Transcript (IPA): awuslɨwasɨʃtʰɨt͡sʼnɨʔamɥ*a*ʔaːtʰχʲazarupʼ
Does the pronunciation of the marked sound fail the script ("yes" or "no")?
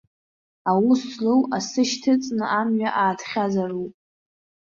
no